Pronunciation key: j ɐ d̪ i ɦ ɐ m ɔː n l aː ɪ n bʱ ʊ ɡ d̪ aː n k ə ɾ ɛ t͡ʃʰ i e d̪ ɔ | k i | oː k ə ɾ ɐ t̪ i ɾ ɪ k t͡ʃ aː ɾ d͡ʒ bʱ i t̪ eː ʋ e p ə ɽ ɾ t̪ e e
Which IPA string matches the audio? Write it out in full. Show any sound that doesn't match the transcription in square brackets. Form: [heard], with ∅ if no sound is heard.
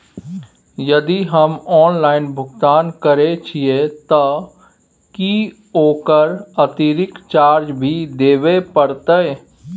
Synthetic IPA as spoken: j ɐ d̪ i ɦ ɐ m ɔː n l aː ɪ n bʱ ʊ ɡ [t̪] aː n k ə ɾ [e] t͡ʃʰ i e [t̪] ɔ | k i | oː k ə ɾ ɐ t̪ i ɾ ɪ k t͡ʃ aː ɾ d͡ʒ bʱ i [d̪] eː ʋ e p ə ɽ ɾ t̪ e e